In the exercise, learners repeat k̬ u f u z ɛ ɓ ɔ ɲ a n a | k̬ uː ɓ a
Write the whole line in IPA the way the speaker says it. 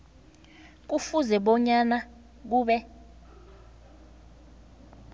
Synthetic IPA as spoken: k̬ u f u z ɛ ɓ ɔ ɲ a n a | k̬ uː ɓ ɛ